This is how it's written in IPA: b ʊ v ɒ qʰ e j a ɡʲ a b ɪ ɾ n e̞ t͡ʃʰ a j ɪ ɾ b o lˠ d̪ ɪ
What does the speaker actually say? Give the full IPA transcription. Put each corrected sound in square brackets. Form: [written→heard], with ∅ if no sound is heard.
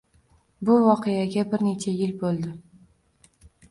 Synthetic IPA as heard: b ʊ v ɒ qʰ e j a ɡʲ a b ɪ ɾ n e̞ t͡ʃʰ a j ɪ [ɾ→l] b o lˠ d̪ ɪ